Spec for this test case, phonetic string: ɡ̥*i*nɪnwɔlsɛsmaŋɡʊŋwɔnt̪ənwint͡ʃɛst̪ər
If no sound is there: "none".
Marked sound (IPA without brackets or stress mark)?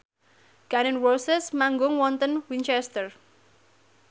a